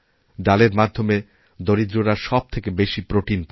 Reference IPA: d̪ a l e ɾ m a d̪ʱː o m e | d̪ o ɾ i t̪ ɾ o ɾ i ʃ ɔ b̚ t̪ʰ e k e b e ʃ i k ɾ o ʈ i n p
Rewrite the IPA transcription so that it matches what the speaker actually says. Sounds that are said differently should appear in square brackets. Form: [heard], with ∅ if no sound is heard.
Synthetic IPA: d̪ a l e ɾ m a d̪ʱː o m e | d̪ o ɾ i [d̪] ɾ o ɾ [a] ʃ ɔ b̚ t̪ʰ e k e b e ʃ i [p] ɾ o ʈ i n p